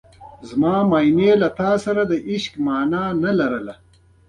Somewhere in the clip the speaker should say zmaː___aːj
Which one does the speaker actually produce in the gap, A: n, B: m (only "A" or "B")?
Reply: B